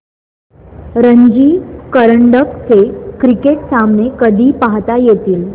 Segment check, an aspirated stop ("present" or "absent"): absent